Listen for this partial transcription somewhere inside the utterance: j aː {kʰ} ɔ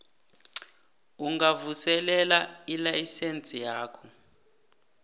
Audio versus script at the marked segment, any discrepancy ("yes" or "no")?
no